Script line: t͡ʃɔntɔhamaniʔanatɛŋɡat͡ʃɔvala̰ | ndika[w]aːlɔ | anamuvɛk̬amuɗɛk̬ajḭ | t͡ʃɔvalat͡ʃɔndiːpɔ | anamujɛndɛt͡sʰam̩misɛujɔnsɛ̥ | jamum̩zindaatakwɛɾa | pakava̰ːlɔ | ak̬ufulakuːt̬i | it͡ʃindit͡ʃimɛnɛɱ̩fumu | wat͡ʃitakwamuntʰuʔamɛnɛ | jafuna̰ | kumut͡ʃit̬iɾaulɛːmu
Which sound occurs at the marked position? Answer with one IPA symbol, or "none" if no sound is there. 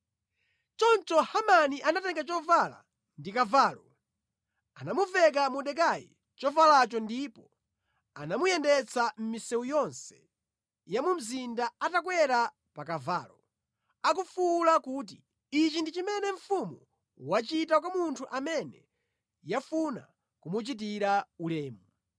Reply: v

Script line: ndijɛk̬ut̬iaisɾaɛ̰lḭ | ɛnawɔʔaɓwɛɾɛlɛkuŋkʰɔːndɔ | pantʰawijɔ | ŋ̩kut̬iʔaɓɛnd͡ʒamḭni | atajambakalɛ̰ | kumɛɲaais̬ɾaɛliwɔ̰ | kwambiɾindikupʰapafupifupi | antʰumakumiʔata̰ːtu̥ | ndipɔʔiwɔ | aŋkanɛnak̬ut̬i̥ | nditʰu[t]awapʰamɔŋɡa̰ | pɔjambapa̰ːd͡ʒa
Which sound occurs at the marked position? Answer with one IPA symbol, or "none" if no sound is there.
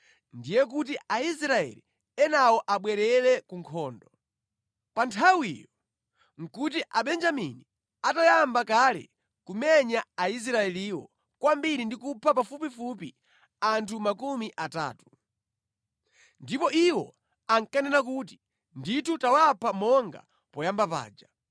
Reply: t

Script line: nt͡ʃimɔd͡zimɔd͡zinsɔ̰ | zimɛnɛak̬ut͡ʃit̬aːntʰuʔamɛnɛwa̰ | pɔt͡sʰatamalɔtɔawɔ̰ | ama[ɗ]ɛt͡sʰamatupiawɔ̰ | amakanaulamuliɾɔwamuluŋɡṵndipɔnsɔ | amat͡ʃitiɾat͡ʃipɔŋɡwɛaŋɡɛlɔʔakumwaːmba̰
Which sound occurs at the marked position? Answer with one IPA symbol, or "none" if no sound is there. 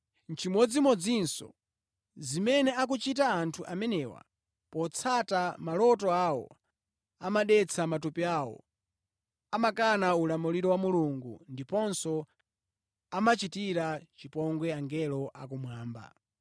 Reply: ɗ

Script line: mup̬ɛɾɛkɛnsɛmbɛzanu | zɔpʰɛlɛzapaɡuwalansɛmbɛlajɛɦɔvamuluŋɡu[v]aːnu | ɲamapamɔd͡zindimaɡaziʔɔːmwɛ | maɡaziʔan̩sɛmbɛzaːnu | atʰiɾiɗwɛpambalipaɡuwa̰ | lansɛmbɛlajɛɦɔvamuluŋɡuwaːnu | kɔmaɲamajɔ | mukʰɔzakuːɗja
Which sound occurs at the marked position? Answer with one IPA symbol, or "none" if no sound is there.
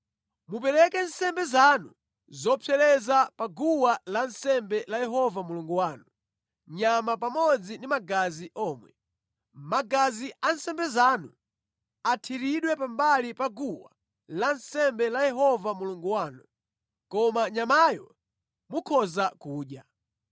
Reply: w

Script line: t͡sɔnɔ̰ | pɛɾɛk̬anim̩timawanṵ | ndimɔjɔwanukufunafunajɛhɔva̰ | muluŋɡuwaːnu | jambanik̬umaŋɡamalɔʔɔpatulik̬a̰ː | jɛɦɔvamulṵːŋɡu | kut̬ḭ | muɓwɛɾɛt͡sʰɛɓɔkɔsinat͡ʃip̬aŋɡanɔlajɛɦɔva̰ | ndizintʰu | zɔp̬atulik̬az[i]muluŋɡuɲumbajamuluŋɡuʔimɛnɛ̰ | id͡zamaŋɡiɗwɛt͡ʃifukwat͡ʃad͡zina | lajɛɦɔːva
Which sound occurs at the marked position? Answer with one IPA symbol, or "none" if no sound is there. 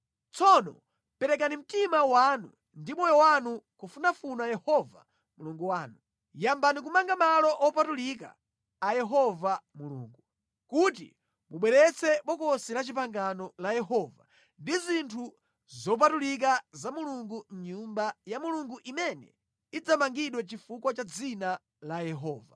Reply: a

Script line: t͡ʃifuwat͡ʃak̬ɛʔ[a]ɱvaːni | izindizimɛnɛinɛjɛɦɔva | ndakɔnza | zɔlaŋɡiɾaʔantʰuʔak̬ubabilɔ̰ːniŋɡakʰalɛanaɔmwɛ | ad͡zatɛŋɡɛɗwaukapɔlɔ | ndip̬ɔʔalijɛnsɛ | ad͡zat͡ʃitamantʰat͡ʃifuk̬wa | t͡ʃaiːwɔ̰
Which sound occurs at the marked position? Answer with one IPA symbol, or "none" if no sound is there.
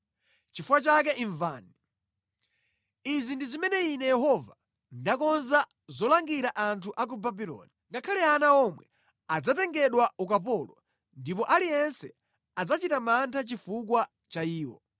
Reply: i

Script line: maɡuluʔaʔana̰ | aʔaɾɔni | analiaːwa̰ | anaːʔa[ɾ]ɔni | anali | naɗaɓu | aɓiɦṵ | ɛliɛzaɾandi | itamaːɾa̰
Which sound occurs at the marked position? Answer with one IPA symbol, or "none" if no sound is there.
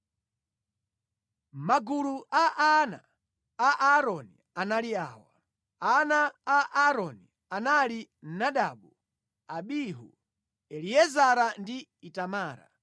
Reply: ɾ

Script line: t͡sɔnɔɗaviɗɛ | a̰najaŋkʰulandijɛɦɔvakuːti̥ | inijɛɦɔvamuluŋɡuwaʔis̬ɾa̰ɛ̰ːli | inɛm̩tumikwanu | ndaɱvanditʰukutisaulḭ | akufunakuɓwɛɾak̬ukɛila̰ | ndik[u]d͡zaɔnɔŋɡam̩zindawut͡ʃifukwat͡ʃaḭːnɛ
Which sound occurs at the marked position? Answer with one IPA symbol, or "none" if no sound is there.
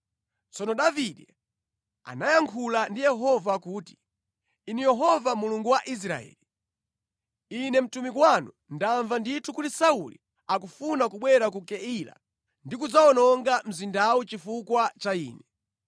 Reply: u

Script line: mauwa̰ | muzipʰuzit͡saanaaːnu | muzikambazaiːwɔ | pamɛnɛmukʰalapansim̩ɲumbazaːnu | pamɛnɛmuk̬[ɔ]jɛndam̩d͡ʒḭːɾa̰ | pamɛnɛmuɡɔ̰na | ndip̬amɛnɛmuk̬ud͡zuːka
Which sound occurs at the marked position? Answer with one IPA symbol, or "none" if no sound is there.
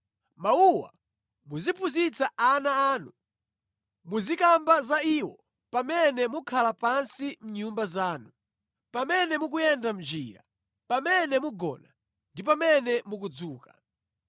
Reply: u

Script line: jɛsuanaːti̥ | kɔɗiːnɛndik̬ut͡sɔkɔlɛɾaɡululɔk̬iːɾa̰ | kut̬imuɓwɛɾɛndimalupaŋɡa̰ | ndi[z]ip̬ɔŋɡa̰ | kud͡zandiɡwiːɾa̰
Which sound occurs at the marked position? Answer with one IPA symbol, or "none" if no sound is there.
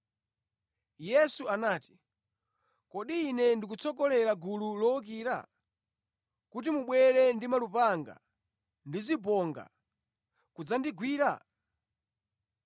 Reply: z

